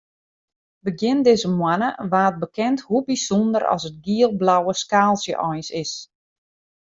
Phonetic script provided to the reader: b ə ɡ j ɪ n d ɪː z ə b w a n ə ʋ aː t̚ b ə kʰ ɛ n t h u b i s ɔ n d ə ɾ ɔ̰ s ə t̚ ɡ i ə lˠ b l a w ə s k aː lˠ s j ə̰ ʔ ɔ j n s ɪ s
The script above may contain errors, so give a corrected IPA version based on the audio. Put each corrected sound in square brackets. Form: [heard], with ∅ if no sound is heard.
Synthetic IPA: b ə ɡ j ɪ n d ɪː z ə [m] w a n ə ʋ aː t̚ b ə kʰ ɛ n t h u b i s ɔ n d ə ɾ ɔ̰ s ə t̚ ɡ i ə lˠ b l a w ə s k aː lˠ s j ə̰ ʔ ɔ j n s ɪ s